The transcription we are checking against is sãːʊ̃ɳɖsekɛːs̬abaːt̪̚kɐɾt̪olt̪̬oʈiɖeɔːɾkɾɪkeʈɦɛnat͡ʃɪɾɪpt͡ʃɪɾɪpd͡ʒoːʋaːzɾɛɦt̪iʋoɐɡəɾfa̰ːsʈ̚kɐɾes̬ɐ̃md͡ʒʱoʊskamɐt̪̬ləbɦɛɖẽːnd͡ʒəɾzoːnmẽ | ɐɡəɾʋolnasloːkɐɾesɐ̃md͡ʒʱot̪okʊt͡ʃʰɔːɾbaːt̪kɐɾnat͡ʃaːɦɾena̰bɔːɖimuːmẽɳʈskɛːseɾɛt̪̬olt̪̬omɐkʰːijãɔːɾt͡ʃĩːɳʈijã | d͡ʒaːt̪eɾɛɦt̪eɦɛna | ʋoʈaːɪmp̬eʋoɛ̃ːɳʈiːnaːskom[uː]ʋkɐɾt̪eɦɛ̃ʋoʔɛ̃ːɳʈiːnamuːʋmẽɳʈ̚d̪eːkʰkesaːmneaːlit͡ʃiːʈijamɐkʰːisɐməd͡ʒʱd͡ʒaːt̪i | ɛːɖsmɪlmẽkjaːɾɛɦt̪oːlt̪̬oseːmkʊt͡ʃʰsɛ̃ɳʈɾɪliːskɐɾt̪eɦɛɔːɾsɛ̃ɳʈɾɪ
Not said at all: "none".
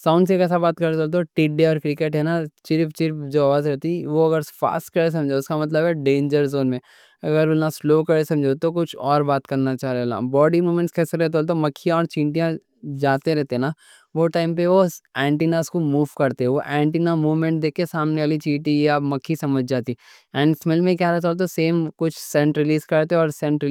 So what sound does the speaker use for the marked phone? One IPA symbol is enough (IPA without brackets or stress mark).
uː